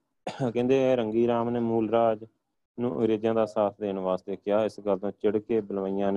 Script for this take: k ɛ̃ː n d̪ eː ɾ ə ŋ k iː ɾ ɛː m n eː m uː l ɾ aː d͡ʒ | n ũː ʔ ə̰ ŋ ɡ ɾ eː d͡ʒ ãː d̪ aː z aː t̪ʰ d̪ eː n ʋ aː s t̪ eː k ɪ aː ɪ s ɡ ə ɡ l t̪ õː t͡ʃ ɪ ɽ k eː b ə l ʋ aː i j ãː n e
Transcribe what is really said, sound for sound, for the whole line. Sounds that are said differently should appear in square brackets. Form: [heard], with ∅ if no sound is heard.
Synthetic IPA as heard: k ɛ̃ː n d̪ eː ɾ ə ŋ [ɡ] iː ɾ [aː] m n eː m uː l ɾ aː d͡ʒ | n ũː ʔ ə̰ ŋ ɡ ɾ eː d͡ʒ ãː d̪ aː [s] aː t̪ʰ d̪ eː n ʋ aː s t̪ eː k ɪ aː ɪ s ɡ ə [∅] l t̪ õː t͡ʃ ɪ ɽ k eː b ə l ʋ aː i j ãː n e